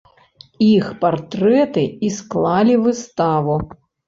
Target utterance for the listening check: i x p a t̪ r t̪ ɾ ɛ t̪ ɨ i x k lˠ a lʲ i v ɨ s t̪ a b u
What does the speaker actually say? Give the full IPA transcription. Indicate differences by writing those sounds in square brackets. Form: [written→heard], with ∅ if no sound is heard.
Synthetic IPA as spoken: i x p a [t̪→∅] r t̪ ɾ ɛ t̪ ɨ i [x→s] k lˠ a lʲ i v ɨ s t̪ a [b→v] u